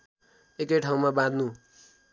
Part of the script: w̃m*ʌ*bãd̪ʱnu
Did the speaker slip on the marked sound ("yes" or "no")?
yes